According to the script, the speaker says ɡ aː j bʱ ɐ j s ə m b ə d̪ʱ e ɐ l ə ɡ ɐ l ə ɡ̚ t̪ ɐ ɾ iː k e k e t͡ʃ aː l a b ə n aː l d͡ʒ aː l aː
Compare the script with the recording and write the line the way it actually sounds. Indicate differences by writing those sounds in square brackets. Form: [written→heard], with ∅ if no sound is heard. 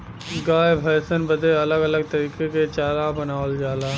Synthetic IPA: ɡ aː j bʱ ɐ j s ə [m→n] b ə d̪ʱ e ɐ l ə ɡ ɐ l ə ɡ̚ t̪ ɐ ɾ iː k e k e t͡ʃ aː l a b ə n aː l d͡ʒ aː l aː